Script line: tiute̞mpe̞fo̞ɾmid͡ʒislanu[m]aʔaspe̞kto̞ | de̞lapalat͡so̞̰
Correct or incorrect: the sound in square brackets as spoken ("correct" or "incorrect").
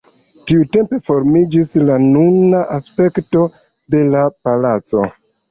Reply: incorrect